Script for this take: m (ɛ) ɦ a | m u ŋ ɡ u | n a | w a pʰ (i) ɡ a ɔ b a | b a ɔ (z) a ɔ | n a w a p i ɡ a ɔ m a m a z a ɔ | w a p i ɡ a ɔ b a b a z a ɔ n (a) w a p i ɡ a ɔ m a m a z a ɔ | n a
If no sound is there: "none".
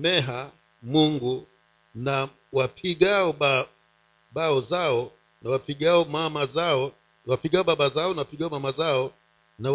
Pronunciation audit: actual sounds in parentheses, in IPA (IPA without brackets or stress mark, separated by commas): ɛ, i, z, a